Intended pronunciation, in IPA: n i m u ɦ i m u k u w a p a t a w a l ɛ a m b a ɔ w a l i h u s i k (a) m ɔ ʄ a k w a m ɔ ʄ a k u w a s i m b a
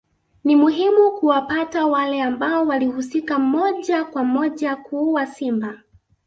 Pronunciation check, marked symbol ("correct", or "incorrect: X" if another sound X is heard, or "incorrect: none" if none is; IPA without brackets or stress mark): correct